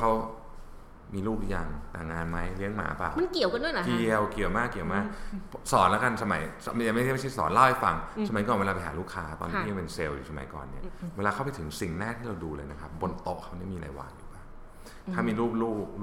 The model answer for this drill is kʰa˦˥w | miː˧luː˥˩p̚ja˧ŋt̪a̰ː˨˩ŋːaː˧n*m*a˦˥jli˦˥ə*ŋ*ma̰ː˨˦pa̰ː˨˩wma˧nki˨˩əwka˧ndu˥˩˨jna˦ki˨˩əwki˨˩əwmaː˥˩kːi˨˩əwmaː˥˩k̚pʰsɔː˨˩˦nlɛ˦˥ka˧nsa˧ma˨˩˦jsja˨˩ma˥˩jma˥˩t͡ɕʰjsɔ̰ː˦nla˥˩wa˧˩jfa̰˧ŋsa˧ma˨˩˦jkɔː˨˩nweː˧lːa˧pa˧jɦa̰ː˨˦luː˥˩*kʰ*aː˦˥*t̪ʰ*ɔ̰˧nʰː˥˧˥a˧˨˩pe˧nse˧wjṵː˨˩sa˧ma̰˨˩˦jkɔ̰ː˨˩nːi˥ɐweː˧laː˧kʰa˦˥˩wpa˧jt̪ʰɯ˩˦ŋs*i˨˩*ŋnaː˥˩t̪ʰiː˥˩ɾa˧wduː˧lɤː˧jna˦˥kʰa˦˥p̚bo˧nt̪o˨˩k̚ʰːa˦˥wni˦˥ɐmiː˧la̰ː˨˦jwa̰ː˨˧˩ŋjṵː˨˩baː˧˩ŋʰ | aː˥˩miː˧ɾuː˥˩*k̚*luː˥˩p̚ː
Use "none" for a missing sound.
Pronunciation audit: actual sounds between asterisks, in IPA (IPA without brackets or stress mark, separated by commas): m, ŋ, kʰ, t̪, i˨˩, p̚